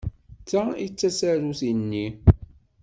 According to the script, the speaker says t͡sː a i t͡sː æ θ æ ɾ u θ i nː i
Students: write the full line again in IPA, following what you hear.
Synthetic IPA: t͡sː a i t͡sː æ s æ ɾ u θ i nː i